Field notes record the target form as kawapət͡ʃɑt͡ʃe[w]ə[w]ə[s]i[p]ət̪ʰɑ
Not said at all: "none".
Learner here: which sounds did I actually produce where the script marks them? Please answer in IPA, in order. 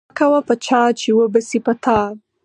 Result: w, b, s, p

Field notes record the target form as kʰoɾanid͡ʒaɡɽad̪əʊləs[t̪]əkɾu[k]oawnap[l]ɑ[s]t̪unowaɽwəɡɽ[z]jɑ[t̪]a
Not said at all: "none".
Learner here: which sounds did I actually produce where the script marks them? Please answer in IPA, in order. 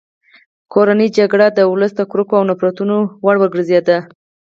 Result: d̪, k, ɾ, none, z, d̪

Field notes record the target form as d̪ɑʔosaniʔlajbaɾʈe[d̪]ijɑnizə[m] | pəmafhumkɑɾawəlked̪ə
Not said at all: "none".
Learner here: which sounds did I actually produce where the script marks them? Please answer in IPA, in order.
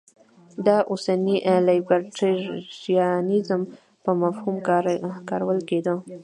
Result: none, m

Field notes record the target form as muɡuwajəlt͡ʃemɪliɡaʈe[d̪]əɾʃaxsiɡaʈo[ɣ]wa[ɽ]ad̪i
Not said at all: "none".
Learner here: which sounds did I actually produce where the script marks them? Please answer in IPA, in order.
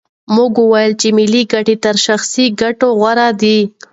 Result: t̪, ɣ, ɾ

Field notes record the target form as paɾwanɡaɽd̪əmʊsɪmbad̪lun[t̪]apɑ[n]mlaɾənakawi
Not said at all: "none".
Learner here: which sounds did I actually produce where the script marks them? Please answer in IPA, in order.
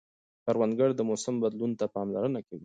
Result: t̪, none

